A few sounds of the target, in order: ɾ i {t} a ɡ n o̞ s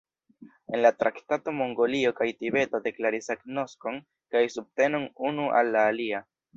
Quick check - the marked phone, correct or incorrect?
incorrect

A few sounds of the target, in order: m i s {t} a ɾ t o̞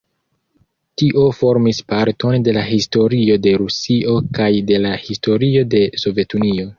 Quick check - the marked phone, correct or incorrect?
incorrect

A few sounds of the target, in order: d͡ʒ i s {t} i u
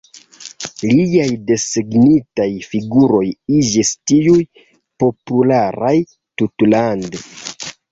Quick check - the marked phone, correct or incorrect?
correct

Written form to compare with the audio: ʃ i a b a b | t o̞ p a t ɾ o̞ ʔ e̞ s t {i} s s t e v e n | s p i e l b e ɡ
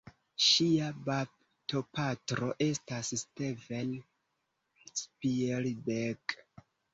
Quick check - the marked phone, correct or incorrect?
incorrect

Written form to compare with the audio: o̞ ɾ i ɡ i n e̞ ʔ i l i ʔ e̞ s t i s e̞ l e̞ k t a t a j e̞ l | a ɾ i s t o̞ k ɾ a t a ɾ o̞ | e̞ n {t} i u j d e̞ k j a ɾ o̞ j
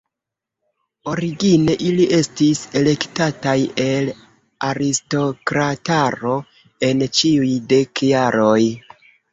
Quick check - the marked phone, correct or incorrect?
incorrect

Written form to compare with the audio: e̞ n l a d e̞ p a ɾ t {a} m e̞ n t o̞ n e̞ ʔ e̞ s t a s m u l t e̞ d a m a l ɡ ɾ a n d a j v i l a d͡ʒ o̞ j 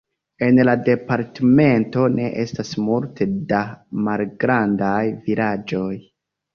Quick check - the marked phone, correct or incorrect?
incorrect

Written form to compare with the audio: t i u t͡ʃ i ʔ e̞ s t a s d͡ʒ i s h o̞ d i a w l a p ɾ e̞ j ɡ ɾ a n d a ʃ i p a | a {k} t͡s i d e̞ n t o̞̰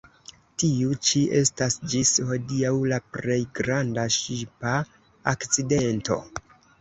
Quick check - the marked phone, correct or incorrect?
correct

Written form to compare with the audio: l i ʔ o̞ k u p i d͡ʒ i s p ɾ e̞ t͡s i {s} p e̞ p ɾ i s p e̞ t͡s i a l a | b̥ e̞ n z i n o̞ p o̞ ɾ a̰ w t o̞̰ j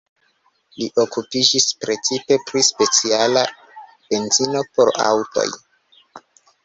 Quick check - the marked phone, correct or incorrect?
incorrect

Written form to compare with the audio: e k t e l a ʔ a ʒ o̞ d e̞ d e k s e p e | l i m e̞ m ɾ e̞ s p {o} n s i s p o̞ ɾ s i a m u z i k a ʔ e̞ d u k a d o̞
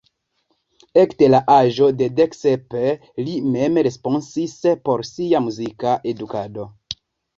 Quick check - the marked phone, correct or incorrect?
correct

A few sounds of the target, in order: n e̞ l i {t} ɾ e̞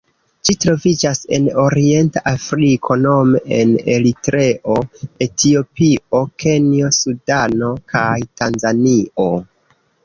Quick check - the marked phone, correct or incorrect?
correct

